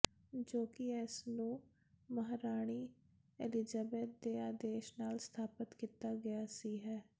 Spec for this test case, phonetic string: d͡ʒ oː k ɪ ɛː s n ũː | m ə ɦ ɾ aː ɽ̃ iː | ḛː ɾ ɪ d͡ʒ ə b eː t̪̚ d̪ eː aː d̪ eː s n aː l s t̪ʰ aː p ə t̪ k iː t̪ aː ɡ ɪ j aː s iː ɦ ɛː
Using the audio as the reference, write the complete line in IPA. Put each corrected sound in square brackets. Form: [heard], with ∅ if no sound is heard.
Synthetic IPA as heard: d͡ʒ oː k ɪ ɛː s n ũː | m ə ɦ ɾ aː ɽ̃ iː | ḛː [l] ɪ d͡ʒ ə b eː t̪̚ d̪ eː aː d̪ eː [ʃ] n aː l s t̪ʰ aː p ə t̪ k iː t̪ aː ɡ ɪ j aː s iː ɦ ɛː